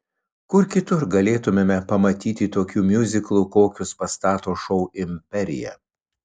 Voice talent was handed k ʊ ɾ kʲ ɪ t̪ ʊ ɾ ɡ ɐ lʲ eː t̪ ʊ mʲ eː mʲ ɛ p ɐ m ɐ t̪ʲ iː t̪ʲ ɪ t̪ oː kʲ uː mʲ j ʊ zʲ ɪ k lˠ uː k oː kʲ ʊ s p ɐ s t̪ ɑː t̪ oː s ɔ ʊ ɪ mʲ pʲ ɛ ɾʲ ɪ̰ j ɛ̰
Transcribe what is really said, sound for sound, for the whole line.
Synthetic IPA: k ʊ ɾ kʲ ɪ t̪ ʊ ɾ ɡ ɐ lʲ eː t̪ ʊ mʲ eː mʲ ɛ p ɐ m ɐ t̪ʲ iː t̪ʲ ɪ t̪ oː kʲ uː mʲ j ʊ zʲ ɪ k lˠ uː k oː kʲ ʊ s p ɐ s t̪ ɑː t̪ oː ʃ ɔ ʊ ɪ mʲ pʲ ɛ ɾʲ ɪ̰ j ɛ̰